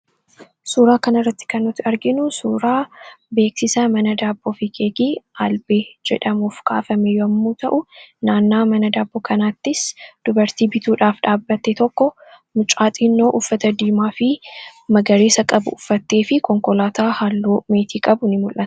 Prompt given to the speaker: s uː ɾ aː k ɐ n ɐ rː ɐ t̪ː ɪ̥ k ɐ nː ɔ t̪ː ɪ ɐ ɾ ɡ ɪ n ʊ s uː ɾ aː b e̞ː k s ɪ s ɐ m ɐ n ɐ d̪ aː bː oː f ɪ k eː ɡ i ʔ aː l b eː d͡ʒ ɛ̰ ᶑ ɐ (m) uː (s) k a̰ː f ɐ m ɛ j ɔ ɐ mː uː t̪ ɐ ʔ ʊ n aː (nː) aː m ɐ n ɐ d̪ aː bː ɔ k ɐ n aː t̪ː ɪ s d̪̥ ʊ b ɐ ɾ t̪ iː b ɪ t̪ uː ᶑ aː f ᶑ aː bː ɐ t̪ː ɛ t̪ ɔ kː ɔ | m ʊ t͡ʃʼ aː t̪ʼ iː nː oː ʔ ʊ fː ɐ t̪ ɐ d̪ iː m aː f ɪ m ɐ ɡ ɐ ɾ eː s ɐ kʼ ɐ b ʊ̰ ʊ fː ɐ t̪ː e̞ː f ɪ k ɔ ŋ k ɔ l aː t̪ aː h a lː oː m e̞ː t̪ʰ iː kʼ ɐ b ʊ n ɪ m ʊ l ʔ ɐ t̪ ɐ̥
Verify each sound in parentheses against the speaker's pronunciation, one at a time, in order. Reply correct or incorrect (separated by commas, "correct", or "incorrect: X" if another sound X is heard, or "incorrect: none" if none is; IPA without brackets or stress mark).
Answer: correct, incorrect: f, correct